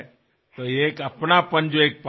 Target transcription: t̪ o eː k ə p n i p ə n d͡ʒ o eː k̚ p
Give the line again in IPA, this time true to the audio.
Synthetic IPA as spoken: t̪ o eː k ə p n a p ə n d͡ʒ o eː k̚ p